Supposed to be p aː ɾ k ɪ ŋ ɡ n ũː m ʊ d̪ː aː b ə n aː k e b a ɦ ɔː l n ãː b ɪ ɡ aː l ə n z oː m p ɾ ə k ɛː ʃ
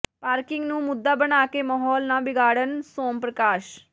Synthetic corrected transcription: p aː ɾ k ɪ ŋ ɡ n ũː m ʊ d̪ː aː b ə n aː k e m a ɦ ɔː l n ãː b ɪ ɡ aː ɽ ə n s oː m p ɾ ə k aː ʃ